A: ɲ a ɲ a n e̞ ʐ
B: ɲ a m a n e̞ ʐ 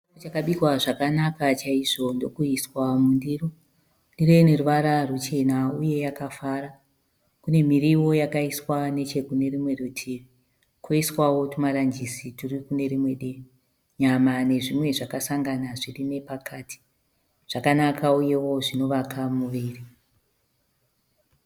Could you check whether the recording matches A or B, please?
B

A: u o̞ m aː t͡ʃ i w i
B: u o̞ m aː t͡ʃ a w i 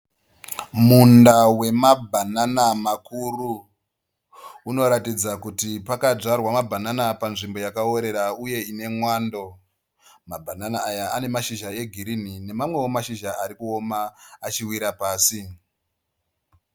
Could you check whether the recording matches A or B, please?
A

